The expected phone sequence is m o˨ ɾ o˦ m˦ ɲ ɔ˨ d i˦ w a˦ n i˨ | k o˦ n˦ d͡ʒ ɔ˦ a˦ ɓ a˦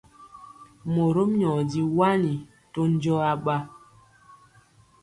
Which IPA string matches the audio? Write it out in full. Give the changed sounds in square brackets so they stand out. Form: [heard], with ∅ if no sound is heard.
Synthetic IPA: m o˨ ɾ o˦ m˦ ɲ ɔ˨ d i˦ w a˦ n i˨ | [t] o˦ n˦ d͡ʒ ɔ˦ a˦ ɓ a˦